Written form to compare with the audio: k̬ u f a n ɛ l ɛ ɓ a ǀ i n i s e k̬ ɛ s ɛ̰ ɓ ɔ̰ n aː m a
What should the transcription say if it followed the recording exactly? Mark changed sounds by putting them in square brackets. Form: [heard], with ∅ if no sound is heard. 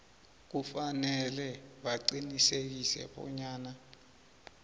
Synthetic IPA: k̬ u f a n ɛ l ɛ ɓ a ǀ i n i s e k̬ [i] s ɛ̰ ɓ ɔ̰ [ɲ] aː [n] a